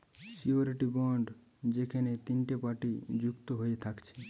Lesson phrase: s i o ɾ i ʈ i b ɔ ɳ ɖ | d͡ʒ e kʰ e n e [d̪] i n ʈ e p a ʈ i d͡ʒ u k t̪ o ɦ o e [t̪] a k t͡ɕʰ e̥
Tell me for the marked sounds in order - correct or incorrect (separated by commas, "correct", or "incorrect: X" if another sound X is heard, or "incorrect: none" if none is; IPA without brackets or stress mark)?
incorrect: t̪, incorrect: t̪ʰ